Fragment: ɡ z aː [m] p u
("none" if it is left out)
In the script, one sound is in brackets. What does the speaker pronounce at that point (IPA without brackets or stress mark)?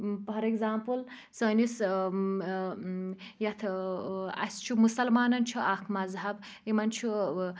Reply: m